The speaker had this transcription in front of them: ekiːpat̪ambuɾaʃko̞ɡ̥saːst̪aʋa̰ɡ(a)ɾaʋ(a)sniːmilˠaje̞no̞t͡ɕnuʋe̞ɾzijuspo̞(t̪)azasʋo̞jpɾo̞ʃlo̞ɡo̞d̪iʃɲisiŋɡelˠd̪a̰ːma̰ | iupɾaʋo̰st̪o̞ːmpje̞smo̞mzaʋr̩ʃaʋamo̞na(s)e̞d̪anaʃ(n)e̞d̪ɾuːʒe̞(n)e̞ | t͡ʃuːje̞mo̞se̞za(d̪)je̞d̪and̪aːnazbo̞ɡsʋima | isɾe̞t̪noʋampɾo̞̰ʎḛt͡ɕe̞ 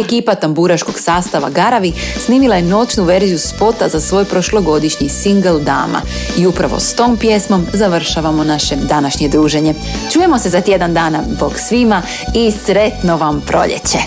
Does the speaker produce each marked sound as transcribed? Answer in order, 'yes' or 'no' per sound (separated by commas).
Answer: yes, no, yes, no, no, no, no